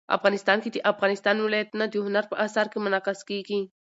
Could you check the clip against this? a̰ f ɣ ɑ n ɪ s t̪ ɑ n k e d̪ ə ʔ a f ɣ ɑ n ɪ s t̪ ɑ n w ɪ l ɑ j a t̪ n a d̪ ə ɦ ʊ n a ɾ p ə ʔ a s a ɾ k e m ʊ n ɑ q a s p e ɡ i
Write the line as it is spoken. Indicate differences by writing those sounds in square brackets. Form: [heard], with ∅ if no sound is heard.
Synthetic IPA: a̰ f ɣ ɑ n ɪ s t̪ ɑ n k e d̪ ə ʔ a f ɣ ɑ n ɪ s t̪ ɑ n w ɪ l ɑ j a t̪ n a d̪ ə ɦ ʊ n a ɾ p ə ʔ a s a ɾ k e m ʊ n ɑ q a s [k] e ɡ i